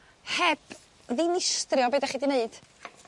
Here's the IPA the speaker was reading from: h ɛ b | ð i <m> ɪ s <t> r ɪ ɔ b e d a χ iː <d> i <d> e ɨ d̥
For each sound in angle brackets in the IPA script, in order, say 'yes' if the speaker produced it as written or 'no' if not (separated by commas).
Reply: no, yes, yes, no